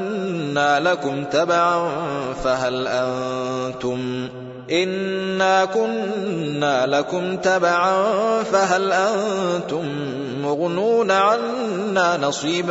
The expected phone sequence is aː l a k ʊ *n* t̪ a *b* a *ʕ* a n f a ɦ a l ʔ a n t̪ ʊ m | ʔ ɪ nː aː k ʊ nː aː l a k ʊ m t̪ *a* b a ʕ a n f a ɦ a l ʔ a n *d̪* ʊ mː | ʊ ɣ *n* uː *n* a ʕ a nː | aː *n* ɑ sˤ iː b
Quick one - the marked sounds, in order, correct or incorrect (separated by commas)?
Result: incorrect, correct, correct, correct, incorrect, correct, correct, correct